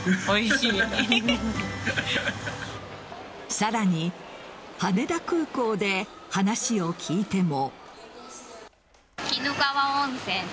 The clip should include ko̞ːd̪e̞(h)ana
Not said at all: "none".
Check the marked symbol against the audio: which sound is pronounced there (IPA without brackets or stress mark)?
h